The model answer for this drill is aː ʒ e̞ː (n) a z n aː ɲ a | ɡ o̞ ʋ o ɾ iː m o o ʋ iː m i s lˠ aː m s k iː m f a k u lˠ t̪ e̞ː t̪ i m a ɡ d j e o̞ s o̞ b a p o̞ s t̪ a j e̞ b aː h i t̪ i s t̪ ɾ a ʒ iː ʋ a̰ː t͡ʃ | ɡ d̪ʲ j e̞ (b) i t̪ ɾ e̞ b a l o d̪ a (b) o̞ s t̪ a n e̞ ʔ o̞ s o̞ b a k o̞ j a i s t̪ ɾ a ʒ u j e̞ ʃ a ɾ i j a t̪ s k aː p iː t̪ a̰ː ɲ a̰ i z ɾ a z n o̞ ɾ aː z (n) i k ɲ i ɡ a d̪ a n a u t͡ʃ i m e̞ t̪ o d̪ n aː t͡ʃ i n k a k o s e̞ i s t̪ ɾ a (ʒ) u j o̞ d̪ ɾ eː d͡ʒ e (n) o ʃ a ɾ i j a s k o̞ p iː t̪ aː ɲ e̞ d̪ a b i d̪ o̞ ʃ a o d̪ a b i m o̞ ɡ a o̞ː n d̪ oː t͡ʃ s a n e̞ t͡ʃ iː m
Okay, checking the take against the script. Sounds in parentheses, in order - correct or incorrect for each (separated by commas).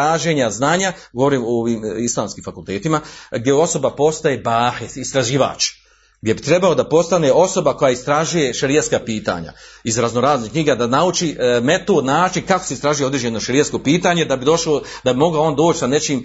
incorrect, correct, incorrect, correct, correct, correct